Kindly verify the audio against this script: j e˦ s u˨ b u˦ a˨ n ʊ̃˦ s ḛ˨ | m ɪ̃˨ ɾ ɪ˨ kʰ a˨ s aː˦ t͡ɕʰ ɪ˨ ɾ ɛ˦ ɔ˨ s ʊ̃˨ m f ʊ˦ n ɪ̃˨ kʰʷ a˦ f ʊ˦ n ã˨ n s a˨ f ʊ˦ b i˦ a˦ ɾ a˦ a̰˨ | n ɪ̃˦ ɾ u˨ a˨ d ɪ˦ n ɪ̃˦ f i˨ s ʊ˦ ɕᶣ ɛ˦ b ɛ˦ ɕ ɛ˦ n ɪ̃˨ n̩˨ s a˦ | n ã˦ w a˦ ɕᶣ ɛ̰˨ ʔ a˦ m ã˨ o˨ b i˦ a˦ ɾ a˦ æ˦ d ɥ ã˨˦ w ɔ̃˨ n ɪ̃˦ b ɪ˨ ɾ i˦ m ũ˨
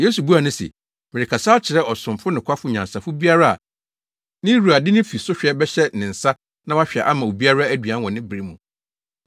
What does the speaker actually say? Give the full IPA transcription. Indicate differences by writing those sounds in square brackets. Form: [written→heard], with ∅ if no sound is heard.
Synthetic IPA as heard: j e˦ s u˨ b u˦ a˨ n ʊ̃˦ s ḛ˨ | m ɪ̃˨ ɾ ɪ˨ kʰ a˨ s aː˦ t͡ɕʰ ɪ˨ ɾ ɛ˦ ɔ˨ s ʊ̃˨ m f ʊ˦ n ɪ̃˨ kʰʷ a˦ f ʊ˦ [n→ɲ] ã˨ n s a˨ f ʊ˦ b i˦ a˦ ɾ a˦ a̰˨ | n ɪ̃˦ ɾ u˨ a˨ d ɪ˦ n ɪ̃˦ f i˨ s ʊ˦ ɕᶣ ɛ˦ b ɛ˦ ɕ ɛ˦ n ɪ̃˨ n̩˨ s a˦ | n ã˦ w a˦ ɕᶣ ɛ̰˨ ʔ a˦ m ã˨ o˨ b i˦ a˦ ɾ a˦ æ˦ d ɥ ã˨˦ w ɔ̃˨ n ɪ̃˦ b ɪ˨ ɾ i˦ m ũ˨

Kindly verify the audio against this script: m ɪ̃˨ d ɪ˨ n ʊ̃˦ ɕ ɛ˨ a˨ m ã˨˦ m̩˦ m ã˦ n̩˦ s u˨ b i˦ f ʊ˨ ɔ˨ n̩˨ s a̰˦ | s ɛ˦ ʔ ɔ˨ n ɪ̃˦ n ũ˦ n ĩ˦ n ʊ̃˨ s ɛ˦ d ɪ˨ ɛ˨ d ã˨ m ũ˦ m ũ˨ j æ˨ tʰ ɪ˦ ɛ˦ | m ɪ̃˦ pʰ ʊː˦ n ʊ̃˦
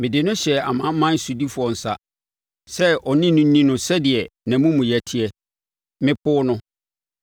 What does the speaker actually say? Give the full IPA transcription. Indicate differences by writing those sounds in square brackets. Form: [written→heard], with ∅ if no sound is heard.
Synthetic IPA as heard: m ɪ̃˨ d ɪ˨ n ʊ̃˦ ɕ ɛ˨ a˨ m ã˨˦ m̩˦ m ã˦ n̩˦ s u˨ [b→d] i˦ f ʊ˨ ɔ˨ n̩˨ s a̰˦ | s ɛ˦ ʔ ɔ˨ n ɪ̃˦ n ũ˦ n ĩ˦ n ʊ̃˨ s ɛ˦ d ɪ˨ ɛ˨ [d→n] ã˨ m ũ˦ m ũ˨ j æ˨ tʰ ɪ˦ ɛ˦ | m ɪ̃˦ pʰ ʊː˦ n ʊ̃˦

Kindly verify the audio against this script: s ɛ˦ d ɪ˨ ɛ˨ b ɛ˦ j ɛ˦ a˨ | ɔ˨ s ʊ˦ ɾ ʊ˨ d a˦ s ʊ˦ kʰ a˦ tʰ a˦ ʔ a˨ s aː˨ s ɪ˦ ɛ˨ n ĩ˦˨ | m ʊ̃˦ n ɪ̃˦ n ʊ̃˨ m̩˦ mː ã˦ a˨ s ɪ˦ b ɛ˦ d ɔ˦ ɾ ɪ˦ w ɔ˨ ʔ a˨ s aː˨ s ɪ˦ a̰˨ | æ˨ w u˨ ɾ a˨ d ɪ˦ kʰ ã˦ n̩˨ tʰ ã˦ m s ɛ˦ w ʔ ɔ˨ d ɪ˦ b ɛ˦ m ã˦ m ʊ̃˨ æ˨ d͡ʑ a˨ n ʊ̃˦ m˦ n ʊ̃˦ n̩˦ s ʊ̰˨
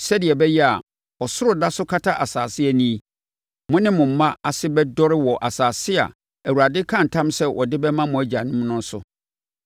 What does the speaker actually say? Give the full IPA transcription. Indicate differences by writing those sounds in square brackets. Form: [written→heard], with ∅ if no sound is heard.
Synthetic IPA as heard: s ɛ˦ d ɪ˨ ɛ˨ b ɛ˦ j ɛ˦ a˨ | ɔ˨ s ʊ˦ ɾ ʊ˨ d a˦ s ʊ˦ kʰ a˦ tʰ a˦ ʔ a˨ s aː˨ s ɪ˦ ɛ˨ n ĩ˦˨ | m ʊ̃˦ n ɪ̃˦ [n→m] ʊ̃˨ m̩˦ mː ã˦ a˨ s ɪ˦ b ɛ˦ d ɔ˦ ɾ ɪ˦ w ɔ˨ ʔ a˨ s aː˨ s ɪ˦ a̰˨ | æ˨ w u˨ ɾ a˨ d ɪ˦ kʰ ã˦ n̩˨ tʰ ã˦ m s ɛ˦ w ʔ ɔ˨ d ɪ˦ b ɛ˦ m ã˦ m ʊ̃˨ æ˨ d͡ʑ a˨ n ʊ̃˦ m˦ n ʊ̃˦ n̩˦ s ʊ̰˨

